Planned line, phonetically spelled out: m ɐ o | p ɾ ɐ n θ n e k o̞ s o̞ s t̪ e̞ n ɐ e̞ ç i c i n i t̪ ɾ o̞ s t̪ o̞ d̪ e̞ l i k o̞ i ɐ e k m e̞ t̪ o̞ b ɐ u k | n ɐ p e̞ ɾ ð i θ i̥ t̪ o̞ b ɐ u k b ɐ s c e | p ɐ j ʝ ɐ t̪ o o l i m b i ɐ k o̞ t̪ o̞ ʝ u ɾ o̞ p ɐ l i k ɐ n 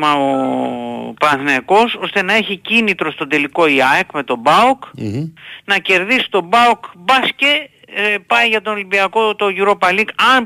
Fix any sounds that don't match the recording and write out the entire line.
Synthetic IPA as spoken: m ɐ o | p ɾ ɐ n θ n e k o̞ s o̞ s t̪ e̞ n ɐ e̞ ç i c i n i t̪ ɾ o̞ s t̪ o̞ d̪ e̞ l i k o̞ i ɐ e k m e̞ t̪ o̞ b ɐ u k | n ɐ c e̞ ɾ ð i s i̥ t̪ o̞ b ɐ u k b ɐ s c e | p ɐ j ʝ ɐ t̪ o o l i m b i ɐ k o̞ t̪ o̞ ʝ u ɾ o̞ p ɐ l i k ɐ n